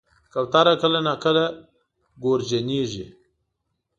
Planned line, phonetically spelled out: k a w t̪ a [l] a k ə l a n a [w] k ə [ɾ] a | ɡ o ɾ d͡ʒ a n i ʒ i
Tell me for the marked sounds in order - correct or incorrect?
incorrect: ɾ, incorrect: none, incorrect: l

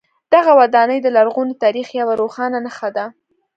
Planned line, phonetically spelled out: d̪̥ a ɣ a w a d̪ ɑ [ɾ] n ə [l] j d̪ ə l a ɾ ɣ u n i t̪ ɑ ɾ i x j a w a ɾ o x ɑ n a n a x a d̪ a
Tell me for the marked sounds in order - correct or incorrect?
incorrect: none, incorrect: none

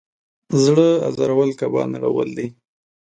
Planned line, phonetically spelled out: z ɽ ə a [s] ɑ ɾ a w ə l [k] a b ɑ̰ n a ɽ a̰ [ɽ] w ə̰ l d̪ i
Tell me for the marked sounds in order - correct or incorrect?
incorrect: z, correct, incorrect: none

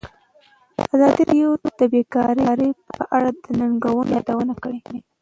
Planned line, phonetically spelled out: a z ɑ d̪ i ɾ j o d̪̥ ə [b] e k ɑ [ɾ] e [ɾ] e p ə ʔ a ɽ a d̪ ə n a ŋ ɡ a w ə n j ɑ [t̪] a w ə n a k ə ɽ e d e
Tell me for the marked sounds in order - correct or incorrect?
correct, correct, correct, incorrect: d̪

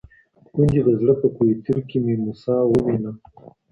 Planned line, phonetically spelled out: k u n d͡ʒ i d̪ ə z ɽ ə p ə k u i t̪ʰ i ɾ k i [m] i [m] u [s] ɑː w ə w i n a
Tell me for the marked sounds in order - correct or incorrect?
correct, correct, correct

